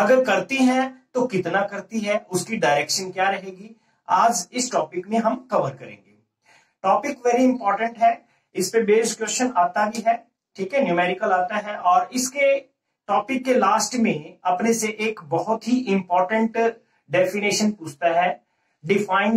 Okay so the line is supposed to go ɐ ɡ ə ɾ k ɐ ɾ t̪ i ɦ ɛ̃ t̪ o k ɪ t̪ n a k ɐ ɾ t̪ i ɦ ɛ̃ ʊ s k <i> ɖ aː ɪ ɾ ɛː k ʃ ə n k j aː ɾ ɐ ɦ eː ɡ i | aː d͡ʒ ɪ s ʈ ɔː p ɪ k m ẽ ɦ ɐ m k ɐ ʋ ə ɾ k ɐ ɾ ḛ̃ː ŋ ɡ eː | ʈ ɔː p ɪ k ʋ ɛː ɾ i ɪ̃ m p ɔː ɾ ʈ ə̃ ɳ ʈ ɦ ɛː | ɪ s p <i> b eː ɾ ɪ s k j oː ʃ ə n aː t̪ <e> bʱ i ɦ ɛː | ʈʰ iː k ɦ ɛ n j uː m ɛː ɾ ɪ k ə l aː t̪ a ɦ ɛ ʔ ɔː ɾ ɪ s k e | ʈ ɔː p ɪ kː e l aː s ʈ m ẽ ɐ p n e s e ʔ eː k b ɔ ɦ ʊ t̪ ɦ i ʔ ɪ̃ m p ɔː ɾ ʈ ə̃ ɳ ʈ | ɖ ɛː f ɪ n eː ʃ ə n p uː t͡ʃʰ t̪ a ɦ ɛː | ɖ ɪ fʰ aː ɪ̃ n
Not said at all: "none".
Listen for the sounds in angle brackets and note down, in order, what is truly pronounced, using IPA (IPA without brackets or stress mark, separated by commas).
i, e, a